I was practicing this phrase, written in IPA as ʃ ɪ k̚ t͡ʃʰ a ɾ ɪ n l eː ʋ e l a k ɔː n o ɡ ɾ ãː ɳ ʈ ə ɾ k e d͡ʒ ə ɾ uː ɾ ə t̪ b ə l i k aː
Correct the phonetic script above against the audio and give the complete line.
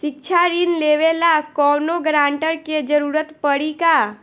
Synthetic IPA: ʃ ɪ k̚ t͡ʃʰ a ɾ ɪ n l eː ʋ e l a k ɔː n o ɡ ɾ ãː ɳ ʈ ə ɾ k e d͡ʒ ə ɾ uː ɾ ə t̪ p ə ɽ i k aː